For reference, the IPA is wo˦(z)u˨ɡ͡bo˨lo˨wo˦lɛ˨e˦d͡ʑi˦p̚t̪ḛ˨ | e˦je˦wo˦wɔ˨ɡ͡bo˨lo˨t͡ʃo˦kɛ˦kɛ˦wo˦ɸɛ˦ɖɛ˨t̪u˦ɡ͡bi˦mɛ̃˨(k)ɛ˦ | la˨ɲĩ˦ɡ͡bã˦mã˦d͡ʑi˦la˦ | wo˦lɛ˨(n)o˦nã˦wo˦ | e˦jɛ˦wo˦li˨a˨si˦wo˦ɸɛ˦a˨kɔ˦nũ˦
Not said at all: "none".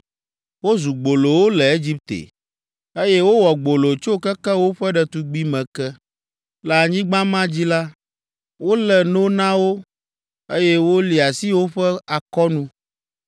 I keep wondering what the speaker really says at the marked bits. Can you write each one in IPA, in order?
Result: z, k, n

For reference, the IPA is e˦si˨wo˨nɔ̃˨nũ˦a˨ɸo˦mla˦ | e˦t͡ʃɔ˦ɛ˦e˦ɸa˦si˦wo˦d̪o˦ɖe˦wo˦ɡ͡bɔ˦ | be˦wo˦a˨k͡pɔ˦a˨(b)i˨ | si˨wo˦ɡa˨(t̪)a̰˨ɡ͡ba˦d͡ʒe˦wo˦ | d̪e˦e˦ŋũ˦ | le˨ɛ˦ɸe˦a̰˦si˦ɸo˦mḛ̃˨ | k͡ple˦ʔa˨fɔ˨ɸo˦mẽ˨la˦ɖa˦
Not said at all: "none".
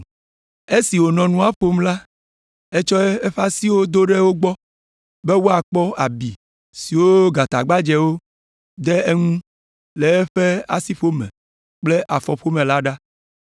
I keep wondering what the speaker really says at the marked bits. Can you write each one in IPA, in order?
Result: b, t̪

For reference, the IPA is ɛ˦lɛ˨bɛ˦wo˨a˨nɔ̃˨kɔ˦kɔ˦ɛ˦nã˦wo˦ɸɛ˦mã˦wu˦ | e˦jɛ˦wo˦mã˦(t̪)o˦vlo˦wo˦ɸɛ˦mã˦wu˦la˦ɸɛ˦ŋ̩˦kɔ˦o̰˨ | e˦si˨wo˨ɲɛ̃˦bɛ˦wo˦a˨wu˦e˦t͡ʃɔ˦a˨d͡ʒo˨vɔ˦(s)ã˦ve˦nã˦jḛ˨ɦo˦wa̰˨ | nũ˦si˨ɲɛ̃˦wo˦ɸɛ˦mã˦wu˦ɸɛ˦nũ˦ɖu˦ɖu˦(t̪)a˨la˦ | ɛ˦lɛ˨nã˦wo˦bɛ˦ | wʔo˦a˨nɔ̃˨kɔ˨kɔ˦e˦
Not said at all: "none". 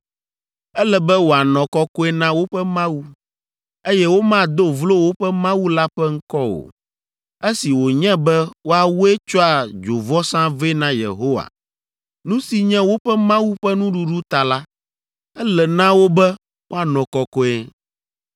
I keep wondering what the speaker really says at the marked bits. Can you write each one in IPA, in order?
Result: d̪, s, t̪

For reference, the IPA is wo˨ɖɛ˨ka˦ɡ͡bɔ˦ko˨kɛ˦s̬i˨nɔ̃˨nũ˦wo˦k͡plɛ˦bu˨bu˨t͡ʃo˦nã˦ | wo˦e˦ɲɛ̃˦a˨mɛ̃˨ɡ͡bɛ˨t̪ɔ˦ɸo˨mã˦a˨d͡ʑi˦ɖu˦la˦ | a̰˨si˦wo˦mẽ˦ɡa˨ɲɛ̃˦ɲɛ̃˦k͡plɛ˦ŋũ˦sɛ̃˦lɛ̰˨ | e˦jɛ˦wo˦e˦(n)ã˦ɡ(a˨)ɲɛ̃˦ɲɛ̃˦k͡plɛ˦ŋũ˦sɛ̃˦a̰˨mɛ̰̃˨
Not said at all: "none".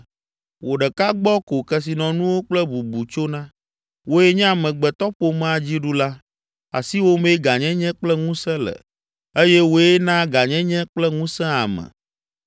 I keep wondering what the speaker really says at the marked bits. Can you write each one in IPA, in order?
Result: n, a˨

